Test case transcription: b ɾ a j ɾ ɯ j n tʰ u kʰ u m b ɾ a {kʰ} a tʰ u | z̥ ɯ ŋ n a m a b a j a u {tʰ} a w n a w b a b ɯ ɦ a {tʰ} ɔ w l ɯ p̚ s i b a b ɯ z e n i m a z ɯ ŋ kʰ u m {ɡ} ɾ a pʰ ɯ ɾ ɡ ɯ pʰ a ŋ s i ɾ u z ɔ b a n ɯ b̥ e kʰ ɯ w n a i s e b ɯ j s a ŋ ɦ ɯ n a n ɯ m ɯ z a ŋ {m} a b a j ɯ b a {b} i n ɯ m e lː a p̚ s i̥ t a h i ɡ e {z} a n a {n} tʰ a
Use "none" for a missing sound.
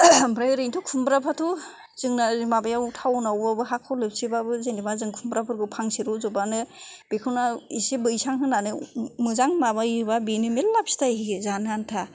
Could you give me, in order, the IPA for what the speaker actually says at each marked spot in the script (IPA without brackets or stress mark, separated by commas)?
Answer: pʰ, tʰ, kʰ, b, m, b, z, n